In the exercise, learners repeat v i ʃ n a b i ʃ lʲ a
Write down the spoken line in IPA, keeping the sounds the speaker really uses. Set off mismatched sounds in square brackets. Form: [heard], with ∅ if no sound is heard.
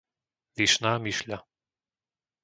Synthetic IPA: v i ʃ n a [m] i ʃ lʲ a